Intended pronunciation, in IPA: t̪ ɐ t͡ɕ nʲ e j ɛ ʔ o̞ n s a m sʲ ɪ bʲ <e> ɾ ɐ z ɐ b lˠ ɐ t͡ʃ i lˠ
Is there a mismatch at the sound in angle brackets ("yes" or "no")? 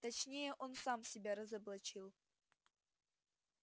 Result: yes